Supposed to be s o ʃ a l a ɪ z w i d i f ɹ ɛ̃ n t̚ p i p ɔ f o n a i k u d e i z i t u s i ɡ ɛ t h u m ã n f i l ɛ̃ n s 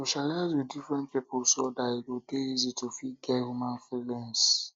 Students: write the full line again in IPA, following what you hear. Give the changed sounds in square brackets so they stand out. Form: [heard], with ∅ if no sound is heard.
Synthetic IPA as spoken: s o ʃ a l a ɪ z w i d i f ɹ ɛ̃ n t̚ p i p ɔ [s] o [d] a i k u d e i z i t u [f] i ɡ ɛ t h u m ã n f i l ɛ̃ n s